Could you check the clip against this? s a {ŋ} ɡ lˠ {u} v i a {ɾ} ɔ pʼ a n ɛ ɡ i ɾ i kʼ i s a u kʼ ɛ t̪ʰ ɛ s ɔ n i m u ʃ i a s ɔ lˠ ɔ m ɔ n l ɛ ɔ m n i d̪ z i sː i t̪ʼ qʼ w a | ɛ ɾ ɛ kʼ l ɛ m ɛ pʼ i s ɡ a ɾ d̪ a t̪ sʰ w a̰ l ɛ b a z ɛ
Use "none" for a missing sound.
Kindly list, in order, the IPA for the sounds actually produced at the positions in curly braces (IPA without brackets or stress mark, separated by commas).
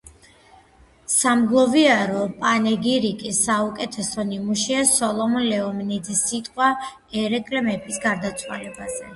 m, ɔ, ɾ